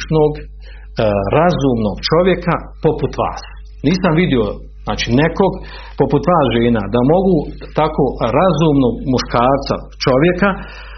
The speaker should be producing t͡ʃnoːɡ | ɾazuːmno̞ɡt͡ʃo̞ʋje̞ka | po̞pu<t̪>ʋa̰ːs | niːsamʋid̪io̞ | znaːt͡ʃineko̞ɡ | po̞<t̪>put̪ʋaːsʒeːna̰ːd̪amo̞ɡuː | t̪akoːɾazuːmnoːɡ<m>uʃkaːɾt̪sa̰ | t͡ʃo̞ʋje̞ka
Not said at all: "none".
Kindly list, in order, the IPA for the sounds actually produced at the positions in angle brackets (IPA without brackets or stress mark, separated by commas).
t̪, none, m